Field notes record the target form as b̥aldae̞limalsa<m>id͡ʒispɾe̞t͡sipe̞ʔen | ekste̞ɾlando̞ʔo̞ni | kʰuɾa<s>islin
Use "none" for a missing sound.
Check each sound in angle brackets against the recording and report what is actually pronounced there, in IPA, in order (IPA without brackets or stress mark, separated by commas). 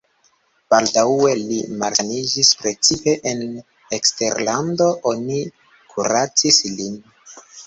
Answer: n, t͡s